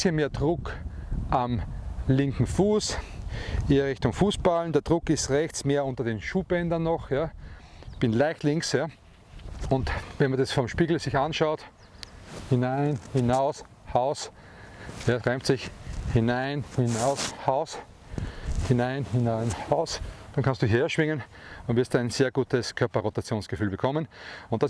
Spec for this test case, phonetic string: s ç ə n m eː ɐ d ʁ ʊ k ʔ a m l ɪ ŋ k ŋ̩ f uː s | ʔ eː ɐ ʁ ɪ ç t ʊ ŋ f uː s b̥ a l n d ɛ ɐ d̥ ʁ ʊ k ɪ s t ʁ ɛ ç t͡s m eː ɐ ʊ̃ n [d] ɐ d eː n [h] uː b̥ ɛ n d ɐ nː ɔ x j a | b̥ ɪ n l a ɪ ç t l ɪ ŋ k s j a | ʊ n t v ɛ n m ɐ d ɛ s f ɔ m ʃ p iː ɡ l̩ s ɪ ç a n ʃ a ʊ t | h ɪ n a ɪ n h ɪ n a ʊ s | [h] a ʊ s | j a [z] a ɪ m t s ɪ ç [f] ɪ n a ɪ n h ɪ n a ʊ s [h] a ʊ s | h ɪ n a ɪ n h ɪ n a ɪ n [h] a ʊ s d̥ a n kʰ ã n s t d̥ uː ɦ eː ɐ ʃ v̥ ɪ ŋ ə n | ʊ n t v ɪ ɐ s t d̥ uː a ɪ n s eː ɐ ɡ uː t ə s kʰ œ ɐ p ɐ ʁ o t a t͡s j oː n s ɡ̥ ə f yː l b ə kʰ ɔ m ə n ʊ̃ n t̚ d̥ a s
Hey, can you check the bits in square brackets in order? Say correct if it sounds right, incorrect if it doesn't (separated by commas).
incorrect, incorrect, correct, incorrect, incorrect, correct, correct